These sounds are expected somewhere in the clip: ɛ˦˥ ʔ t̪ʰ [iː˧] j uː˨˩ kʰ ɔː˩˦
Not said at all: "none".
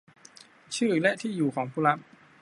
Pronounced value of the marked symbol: iː˥˩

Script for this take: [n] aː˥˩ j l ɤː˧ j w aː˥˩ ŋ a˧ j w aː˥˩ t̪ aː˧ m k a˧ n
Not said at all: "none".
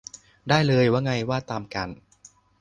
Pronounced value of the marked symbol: d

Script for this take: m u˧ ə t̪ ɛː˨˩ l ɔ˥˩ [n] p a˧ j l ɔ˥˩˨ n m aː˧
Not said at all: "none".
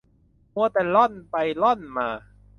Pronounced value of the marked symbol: n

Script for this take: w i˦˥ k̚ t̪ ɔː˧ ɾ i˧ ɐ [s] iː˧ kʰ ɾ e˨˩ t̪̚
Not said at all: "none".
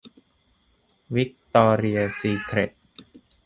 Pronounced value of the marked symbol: s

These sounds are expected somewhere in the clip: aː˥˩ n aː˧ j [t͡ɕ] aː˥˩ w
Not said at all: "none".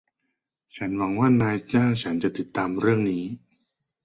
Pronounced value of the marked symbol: t͡ɕ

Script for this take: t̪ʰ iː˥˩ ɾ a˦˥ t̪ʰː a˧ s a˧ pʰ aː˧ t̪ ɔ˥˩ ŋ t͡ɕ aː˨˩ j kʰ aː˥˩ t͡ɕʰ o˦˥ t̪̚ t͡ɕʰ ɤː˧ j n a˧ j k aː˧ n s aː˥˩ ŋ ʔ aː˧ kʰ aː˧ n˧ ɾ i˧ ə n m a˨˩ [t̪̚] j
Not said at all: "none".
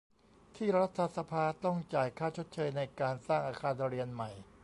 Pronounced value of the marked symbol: none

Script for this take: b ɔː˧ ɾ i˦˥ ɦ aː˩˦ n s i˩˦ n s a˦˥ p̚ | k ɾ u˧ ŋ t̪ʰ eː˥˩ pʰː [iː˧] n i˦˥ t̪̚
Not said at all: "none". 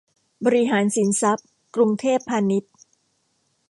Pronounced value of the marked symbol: aː˧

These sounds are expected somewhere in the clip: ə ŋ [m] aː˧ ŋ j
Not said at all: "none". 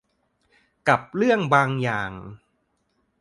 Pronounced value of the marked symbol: b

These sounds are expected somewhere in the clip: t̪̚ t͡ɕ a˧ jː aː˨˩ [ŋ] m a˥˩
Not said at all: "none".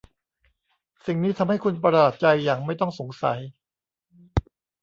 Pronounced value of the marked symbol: ŋ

